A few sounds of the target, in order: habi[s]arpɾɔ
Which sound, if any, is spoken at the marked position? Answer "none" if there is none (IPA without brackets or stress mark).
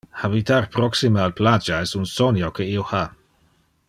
t